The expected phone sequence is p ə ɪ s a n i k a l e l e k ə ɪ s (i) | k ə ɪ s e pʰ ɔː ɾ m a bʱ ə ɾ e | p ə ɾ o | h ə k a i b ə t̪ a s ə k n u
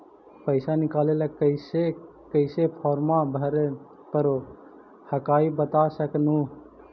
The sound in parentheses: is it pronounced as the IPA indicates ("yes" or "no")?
no